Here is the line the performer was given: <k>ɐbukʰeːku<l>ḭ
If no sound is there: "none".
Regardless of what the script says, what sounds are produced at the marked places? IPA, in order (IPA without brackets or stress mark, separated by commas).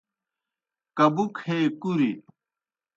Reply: k, ɾ